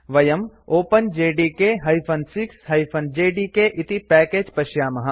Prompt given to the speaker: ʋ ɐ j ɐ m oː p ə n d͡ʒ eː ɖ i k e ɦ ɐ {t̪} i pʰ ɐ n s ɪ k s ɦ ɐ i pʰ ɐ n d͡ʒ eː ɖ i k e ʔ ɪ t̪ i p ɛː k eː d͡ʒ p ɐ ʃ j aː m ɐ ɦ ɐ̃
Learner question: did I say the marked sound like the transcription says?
no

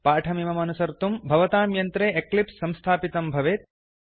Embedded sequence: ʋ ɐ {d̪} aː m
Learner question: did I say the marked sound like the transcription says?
no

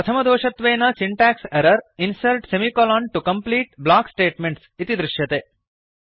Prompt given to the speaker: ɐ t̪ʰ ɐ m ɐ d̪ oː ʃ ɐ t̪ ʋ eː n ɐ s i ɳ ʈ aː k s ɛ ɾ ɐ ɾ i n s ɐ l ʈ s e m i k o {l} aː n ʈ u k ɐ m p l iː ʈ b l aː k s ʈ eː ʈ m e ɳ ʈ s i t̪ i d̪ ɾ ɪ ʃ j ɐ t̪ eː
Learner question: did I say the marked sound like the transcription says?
yes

